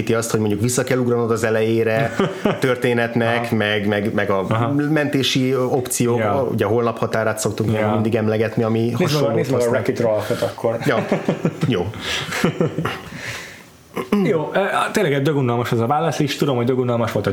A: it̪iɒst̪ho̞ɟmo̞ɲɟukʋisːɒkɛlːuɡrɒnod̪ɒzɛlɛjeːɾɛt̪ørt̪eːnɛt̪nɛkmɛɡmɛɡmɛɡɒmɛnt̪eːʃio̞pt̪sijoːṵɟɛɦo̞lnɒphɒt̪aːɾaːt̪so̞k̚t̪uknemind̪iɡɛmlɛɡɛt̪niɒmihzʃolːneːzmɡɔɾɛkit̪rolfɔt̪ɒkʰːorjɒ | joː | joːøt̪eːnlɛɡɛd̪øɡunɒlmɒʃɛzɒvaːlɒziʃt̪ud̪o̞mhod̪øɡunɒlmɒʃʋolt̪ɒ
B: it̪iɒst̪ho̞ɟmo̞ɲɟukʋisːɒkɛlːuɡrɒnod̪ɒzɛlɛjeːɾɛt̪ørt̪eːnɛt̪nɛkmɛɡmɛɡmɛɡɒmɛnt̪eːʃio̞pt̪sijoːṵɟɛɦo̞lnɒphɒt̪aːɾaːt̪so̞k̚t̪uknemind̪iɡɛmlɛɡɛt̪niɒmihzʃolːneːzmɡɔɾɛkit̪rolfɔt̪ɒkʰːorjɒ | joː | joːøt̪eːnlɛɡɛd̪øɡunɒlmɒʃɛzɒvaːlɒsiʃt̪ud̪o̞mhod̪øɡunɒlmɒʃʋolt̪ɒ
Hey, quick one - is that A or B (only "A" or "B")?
B